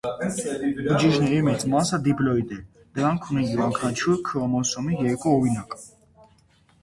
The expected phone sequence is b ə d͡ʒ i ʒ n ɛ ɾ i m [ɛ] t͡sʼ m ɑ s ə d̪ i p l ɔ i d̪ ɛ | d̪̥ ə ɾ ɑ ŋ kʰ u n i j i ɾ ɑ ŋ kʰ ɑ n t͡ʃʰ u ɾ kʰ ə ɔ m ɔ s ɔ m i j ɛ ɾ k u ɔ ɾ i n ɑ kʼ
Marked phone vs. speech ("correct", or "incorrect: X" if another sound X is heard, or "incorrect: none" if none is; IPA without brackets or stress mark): correct